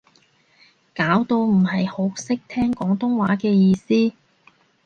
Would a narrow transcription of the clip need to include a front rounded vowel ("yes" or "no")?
no